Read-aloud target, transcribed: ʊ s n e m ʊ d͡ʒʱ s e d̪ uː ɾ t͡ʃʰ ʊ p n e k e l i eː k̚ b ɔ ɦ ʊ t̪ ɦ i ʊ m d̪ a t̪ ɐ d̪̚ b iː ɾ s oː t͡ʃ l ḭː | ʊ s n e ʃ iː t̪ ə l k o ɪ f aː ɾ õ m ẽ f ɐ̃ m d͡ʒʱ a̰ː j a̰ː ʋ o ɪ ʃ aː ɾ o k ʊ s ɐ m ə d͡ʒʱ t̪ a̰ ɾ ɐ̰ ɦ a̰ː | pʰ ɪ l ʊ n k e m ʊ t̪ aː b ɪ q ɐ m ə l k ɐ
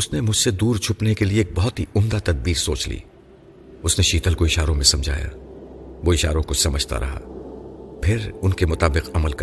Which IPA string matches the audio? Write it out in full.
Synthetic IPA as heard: ʊ s n e m ʊ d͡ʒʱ s e d̪ uː ɾ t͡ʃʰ ʊ p n e k e l i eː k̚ b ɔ ɦ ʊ t̪ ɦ i ʊ m d̪ a t̪ ɐ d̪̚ b iː ɾ s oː t͡ʃ l ḭː | ʊ s n e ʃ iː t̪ ə l k o ɪ ʃ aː ɾ õ m ẽ s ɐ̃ m d͡ʒʱ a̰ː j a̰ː ʋ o ɪ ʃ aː ɾ õ k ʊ s ɐ m ə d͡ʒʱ t̪ a̰ ɾ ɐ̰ ɦ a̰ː | pʰ ɪ ɾ ʊ n k e m ʊ t̪ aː b ɪ q ɐ m ə l k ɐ